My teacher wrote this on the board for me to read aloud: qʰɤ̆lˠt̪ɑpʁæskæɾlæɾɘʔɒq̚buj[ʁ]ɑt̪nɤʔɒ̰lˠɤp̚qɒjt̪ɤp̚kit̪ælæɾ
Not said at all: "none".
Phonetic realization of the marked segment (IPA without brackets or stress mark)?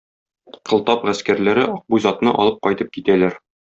z